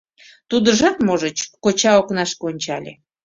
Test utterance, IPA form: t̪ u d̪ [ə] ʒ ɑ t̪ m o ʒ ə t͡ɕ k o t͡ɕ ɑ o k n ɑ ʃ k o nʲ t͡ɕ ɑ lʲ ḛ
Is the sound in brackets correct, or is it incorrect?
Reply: correct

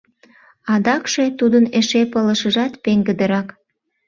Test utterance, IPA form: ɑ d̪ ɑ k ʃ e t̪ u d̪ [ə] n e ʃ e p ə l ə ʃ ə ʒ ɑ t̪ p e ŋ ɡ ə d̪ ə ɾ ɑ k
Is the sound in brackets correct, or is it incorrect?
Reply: correct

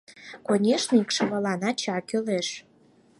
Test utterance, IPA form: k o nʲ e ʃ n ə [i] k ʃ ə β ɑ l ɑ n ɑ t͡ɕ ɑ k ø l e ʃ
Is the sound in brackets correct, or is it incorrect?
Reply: correct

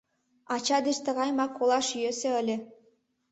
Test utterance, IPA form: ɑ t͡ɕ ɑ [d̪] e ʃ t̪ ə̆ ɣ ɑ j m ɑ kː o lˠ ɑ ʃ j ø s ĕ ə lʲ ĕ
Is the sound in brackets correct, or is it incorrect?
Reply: correct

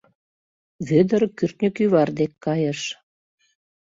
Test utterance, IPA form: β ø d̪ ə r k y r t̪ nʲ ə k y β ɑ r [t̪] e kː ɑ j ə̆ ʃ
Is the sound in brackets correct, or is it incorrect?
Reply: incorrect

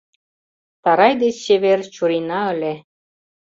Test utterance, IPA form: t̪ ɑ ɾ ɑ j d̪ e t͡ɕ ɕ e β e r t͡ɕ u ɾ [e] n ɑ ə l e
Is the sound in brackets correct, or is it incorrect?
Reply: incorrect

